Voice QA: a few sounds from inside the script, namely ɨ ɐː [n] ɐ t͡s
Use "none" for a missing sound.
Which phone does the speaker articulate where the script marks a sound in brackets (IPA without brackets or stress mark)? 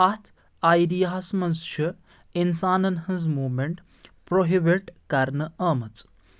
m